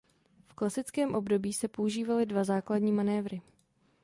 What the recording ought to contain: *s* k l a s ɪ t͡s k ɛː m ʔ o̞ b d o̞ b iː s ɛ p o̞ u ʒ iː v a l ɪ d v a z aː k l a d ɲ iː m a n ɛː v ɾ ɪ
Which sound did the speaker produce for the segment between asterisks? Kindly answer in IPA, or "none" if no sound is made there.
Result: f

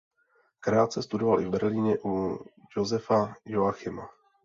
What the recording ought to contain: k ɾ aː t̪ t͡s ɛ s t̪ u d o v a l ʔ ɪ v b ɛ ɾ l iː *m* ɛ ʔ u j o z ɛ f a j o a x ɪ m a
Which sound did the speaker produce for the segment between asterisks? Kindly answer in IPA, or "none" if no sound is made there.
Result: ɲ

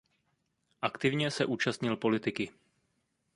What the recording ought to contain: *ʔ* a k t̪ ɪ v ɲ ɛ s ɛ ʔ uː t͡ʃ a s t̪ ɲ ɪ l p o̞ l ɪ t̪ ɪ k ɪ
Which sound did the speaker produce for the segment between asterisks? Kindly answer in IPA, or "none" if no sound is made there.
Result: ʔ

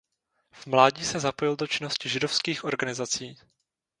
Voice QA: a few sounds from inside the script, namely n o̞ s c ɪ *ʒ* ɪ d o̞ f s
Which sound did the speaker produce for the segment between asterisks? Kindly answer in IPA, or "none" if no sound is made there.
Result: ʒ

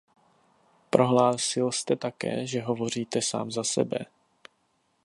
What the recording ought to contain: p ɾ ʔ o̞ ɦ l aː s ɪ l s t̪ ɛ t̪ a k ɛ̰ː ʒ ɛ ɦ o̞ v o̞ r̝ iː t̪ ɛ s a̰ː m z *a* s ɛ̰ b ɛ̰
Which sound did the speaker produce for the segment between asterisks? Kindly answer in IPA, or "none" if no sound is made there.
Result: a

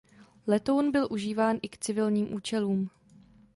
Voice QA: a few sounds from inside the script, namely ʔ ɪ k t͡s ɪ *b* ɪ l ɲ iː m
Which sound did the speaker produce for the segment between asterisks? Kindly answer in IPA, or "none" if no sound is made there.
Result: v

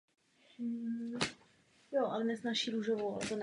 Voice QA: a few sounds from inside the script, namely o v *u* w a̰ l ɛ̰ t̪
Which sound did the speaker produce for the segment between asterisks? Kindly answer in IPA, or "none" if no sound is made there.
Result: o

